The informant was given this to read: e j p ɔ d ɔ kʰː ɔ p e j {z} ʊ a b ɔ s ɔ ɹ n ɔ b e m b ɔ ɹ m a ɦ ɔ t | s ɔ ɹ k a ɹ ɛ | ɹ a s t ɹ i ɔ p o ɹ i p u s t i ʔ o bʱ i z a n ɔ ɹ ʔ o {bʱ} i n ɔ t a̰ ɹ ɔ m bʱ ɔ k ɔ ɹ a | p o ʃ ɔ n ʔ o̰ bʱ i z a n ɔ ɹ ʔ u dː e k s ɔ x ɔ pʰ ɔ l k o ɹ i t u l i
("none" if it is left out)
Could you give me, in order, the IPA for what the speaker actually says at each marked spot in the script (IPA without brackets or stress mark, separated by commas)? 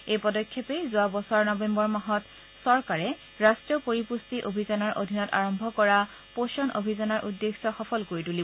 z, dʱ